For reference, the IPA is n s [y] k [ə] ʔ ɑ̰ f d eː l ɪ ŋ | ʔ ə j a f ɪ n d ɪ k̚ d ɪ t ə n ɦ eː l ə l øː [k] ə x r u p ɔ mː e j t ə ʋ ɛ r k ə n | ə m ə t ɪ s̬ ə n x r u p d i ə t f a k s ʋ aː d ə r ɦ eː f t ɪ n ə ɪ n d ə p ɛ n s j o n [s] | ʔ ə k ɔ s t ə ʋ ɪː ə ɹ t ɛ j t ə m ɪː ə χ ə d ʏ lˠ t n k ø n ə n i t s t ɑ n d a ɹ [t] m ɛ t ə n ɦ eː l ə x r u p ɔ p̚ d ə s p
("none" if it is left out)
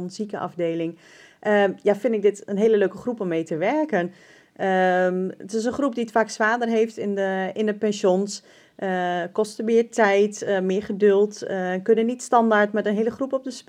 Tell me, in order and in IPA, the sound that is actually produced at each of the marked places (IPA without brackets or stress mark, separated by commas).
i, ə, k, s, t